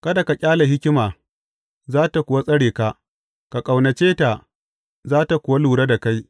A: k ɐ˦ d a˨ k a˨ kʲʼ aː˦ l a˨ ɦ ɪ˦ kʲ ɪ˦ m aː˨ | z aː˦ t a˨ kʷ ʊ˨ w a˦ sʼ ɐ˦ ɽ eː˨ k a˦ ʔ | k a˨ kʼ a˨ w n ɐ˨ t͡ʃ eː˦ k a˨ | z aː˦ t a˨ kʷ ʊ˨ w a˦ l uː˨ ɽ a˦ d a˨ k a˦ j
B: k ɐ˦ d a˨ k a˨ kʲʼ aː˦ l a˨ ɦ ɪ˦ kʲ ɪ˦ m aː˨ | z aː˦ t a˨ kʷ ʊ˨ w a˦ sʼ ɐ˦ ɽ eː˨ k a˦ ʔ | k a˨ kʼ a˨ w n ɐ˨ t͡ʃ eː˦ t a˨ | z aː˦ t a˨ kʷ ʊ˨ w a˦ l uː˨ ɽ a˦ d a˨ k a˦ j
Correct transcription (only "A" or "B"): B